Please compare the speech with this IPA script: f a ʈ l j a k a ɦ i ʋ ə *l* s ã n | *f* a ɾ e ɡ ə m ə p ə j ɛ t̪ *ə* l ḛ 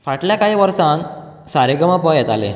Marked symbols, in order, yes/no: no, no, no

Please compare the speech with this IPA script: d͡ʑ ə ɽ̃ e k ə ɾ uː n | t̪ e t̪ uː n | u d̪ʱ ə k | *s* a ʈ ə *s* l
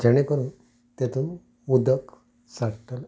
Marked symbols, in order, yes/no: yes, no

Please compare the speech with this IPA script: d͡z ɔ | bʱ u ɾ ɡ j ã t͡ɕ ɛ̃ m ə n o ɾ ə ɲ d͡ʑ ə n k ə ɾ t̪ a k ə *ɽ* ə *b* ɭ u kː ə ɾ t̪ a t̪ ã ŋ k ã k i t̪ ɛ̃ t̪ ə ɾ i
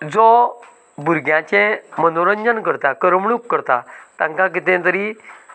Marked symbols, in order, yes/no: no, no

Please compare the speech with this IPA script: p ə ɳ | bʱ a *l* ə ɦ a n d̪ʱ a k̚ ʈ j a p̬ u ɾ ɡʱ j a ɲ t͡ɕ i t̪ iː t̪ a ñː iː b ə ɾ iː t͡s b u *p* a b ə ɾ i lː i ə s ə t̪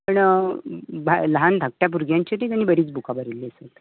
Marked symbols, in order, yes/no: yes, no

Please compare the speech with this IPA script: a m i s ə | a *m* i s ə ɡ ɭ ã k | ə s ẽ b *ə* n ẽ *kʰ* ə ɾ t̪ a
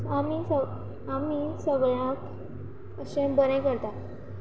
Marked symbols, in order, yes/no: yes, yes, no

